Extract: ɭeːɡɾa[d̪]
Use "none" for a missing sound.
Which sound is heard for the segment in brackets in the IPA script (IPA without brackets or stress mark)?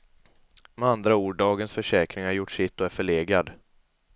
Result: d̪